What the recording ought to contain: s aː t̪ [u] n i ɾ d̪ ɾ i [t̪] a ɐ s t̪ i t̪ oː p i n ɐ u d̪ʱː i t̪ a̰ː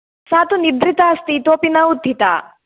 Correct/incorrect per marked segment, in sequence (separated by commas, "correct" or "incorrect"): correct, correct